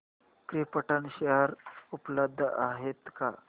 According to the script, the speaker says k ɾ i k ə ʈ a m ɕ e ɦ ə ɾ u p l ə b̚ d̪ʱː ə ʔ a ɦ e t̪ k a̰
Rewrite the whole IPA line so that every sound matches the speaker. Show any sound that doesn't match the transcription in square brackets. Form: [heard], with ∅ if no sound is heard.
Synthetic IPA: k ɾ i [p] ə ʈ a [n] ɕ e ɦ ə ɾ u p l ə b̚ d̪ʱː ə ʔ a ɦ e t̪ k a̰